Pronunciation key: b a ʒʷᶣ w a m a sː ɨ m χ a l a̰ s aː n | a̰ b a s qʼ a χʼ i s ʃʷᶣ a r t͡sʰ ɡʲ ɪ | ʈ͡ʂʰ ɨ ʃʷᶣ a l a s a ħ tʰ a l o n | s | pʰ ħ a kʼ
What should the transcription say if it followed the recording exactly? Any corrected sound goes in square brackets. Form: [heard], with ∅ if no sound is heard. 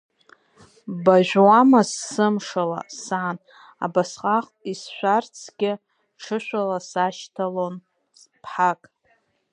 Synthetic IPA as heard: b a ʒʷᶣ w a m a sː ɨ m [ʂ] a l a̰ s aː n | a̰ b a s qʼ a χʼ i s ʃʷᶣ a r t͡sʰ ɡʲ ɪ | ʈ͡ʂʰ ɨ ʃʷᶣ a l a s a [ʃ] tʰ a l o n | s | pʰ ħ a kʼ